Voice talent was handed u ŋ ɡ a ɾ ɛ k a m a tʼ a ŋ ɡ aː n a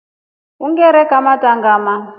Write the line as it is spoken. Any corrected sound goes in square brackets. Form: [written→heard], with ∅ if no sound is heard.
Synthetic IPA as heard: u ŋ ɡ [a→ɛ] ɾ ɛ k a m a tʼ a ŋ ɡ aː [n→m] a